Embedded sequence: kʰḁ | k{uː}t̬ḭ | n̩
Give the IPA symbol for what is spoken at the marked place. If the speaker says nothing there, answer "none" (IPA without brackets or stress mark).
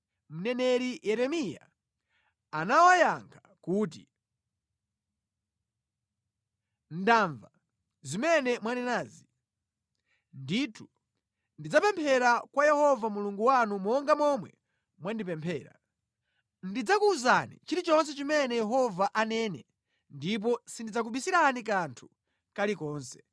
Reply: uː